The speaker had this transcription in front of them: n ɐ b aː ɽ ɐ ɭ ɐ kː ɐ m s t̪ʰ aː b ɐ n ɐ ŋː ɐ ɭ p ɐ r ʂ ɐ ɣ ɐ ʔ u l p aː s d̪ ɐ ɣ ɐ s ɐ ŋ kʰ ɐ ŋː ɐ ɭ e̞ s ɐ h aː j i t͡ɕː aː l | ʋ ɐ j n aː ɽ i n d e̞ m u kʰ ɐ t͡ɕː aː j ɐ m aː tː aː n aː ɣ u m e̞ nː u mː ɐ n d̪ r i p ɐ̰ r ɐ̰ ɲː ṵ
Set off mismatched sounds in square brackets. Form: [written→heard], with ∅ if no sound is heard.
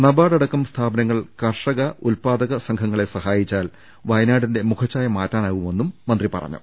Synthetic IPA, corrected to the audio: n ɐ b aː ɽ ɐ [ɭ→ɽ] ɐ kː ɐ m s t̪ʰ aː b ɐ n ɐ ŋː ɐ ɭ [p→k] ɐ r ʂ ɐ ɣ ɐ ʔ u l p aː [s→∅] d̪ ɐ ɣ ɐ s ɐ ŋ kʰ ɐ ŋː ɐ ɭ e̞ s ɐ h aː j i t͡ɕː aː l | ʋ ɐ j n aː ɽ i n d e̞ m u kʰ ɐ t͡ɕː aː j ɐ m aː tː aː n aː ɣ u m e̞ nː u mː ɐ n d̪ r i p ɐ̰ r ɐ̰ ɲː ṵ